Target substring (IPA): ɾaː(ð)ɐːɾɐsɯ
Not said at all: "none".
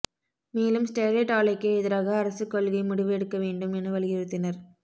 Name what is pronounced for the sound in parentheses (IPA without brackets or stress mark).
ɣ